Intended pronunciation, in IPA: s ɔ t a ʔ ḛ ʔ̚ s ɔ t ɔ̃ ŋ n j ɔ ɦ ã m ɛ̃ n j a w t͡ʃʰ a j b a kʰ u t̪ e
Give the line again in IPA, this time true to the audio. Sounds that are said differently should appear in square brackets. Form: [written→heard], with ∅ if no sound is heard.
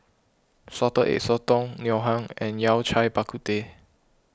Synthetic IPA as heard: s ɔ t [a→ə] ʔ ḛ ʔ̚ s ɔ t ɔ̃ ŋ n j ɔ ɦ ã [m→ŋ] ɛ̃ n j a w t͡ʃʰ a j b a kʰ u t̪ e

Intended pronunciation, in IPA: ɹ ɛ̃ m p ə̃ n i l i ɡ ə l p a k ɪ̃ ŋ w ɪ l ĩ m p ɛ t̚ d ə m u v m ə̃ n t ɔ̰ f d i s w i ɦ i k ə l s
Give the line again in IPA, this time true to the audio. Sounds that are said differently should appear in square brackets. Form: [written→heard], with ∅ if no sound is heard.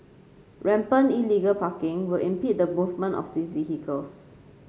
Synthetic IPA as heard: ɹ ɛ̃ m p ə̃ n i l i ɡ ə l p a k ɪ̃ ŋ w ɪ l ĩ m p [ɛ→i] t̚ d ə m u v m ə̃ n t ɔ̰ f d i s [w→v] i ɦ i k ə l s

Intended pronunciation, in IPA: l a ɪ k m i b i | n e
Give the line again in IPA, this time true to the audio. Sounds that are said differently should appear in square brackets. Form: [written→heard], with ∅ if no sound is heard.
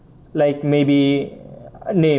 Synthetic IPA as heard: l a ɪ k m [i→e] b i | n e

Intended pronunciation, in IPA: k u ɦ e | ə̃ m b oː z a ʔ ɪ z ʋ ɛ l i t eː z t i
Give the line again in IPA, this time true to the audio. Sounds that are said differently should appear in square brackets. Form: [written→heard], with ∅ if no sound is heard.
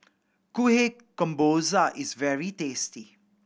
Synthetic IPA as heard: k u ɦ e | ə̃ m b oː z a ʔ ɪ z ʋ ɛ [l→ɹ] i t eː [z→s] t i

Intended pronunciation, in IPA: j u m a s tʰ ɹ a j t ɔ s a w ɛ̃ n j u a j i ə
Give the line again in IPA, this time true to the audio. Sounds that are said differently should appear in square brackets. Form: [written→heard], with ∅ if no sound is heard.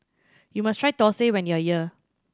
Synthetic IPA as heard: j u m a s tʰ ɹ a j t ɔ s [a→e] w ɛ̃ n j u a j i ə

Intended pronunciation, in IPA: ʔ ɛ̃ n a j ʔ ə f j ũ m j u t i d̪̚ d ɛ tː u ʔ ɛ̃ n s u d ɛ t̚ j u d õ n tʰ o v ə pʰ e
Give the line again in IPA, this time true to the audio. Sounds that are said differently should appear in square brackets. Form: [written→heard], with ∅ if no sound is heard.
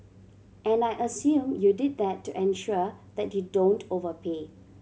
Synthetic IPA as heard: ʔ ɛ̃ n a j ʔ ə [f→s] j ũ m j u [t→d] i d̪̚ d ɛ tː u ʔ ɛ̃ n [s→ʃ] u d ɛ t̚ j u d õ n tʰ o v ə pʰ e

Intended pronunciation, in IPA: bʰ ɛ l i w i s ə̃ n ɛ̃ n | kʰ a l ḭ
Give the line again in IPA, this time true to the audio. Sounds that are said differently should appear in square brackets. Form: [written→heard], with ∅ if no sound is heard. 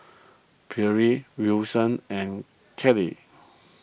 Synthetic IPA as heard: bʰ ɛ [l→ɹ] i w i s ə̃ n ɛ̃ n | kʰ [a→ɛ] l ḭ

